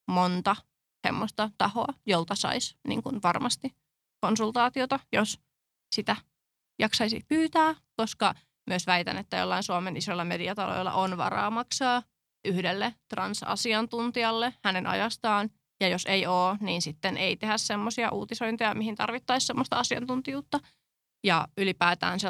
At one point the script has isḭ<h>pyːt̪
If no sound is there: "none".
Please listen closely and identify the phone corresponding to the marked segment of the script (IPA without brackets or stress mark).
h